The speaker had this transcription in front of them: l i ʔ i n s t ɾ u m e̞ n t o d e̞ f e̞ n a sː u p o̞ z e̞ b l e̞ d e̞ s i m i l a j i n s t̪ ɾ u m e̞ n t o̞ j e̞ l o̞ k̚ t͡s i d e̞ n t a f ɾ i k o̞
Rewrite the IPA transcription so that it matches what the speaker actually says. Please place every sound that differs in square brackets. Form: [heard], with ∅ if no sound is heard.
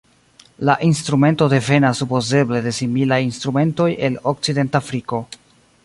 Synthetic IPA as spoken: l [a] ʔ i n s t ɾ u m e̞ n t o d e̞ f e̞ n a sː u p o̞ z e̞ b l e̞ d e̞ s i m i l a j i n s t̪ ɾ u m e̞ n t o̞ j e̞ l o̞ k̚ t͡s i d e̞ n t a f ɾ i k o̞